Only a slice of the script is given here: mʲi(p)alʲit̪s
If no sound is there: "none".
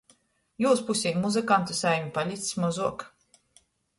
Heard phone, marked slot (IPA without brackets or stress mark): p